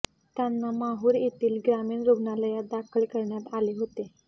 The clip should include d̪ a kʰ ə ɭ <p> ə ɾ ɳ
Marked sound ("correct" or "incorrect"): incorrect